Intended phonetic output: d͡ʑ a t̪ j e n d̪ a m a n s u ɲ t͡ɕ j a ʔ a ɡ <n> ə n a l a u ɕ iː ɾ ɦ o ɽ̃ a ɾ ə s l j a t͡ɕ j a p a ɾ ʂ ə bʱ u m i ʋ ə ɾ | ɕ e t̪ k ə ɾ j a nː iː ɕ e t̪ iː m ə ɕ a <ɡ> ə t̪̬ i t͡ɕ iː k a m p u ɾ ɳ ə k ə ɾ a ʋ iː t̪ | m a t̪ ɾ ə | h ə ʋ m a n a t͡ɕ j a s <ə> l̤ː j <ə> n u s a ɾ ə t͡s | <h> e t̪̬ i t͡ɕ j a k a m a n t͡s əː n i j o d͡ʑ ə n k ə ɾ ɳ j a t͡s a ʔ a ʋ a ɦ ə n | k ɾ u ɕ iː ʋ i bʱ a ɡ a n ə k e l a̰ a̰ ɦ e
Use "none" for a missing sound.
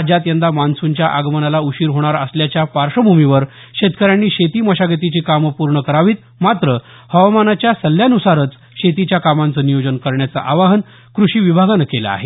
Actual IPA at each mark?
m, ɡ, ə, a, ɕ

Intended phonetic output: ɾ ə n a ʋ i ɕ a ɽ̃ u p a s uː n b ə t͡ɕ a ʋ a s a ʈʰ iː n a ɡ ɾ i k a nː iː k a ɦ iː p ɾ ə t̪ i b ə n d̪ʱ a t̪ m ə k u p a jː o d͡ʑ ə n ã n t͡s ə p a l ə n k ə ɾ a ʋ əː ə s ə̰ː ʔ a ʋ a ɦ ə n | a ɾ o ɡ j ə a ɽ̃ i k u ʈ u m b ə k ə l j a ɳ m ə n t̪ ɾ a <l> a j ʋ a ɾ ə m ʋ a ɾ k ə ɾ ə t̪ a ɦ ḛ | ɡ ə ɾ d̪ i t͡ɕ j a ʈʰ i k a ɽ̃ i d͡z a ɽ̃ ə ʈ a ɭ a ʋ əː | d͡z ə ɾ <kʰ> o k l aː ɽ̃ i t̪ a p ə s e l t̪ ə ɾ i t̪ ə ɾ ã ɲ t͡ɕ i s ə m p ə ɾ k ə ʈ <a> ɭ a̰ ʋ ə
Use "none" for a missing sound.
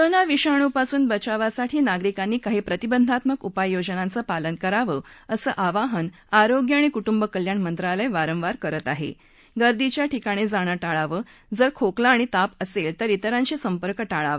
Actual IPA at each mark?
l, kʰ, a

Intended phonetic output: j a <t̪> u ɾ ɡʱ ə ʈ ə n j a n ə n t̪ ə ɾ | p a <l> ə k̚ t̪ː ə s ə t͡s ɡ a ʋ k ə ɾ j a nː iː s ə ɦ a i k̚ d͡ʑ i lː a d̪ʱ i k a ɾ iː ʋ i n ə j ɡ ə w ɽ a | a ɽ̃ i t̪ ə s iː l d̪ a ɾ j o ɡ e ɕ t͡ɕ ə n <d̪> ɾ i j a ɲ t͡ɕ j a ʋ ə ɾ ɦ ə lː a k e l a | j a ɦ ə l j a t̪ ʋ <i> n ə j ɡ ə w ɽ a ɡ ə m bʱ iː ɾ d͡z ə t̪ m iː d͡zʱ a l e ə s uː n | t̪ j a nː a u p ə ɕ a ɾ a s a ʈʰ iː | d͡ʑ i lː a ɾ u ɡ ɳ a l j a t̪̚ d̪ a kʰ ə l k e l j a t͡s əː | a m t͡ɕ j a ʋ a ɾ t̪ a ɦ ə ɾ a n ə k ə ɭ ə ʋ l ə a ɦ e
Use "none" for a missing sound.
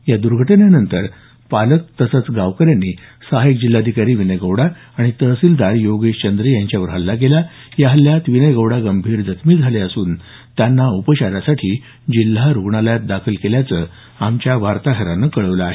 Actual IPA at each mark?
d̪, l, d̪, i

